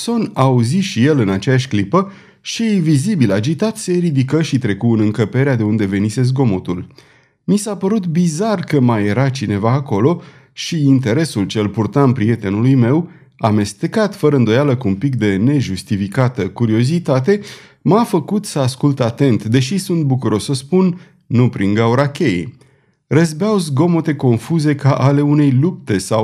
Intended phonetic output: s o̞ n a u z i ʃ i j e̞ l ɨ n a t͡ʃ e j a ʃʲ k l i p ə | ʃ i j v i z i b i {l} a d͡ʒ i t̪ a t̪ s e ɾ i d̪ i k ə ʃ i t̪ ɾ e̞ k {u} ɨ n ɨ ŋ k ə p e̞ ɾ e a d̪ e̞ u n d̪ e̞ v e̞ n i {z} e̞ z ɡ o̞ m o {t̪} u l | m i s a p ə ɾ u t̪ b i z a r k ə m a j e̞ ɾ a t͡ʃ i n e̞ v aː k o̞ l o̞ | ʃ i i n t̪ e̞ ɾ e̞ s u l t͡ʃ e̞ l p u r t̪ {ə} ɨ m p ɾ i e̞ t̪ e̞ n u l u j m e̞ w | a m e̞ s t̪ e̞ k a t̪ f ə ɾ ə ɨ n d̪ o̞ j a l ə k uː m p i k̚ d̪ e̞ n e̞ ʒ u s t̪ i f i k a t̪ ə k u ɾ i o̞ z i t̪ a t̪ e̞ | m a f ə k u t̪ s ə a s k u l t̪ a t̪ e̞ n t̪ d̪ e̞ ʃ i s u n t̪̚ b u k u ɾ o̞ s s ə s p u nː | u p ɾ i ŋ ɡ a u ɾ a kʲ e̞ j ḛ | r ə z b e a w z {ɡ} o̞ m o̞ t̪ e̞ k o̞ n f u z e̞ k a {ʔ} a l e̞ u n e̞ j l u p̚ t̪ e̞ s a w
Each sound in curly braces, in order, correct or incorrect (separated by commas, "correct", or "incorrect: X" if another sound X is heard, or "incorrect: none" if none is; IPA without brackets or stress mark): correct, correct, incorrect: s, correct, incorrect: a, correct, correct